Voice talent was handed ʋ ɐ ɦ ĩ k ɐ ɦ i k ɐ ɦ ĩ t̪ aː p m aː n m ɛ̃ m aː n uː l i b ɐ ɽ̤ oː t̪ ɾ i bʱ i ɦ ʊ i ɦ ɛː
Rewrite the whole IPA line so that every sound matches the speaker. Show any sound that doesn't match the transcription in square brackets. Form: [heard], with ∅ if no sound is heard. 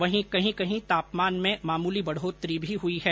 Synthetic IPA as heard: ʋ ɐ ɦ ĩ k ɐ ɦ [ĩ] k ɐ ɦ ĩ t̪ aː p m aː n m [ẽ] m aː [m] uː l i b ɐ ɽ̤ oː t̪ ɾ i bʱ i ɦ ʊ i ɦ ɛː